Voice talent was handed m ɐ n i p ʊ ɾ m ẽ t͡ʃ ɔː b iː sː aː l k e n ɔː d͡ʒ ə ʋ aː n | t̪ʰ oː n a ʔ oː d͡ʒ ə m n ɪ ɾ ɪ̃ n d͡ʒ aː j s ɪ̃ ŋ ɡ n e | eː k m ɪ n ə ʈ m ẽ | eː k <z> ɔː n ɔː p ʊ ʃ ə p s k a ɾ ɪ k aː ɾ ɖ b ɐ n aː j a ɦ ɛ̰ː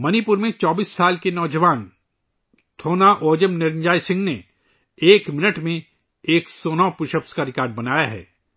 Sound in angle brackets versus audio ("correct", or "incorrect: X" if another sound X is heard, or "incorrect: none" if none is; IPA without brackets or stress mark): incorrect: s